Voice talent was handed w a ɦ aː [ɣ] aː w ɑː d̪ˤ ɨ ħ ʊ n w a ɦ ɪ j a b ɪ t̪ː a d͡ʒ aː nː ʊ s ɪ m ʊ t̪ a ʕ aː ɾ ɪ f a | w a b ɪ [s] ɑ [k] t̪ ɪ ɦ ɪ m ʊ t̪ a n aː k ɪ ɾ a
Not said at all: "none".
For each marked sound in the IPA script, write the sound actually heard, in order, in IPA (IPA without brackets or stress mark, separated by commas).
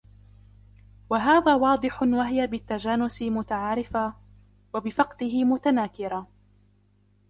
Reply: ð, f, q